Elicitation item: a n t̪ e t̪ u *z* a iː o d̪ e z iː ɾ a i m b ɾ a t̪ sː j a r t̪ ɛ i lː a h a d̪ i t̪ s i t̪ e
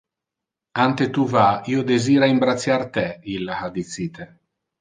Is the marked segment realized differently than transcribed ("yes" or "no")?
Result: yes